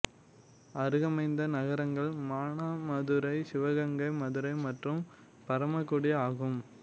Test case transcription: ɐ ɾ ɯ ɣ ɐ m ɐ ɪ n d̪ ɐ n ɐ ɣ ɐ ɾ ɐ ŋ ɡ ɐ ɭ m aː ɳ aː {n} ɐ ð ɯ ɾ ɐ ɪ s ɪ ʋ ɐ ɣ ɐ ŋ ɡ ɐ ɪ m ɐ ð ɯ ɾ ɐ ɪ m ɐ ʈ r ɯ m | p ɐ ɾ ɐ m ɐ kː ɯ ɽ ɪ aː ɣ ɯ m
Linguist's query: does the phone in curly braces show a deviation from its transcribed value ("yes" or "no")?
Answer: yes